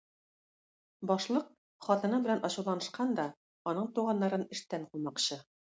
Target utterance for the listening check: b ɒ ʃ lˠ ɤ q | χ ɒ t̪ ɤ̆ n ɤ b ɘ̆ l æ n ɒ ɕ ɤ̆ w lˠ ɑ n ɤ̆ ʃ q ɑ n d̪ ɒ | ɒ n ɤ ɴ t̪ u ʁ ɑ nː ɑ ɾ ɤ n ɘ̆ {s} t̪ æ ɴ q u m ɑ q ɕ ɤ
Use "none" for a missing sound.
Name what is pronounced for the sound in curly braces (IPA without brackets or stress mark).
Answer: ʃ